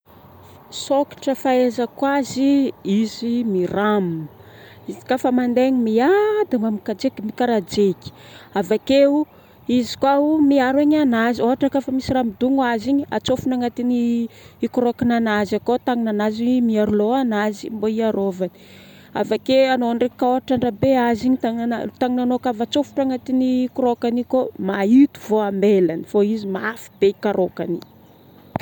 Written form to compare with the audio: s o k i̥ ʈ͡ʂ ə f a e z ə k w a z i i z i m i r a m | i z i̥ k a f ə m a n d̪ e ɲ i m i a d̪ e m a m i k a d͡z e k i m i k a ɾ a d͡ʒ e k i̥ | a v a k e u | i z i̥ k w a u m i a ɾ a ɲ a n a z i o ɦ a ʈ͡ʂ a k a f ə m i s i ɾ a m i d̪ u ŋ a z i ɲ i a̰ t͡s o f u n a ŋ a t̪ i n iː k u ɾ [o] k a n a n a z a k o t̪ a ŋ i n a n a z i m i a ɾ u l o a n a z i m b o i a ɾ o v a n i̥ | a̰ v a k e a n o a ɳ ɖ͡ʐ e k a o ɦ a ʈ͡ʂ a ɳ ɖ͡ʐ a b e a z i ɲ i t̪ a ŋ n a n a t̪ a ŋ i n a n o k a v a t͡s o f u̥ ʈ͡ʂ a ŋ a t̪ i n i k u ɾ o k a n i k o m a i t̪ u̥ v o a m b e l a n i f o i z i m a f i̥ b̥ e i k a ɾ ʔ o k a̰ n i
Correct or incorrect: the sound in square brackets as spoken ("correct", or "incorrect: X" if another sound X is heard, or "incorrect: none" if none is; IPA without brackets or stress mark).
correct